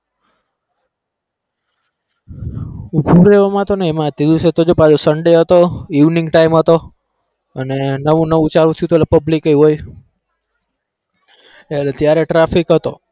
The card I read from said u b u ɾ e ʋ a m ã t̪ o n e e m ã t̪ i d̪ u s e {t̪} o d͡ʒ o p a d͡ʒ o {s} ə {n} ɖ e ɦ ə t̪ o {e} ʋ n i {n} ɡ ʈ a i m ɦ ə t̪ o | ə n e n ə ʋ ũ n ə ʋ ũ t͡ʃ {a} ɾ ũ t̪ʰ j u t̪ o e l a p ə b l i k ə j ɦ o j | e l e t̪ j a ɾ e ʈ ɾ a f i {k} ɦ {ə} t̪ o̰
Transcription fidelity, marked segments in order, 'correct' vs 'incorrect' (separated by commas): correct, correct, incorrect, incorrect, incorrect, correct, correct, correct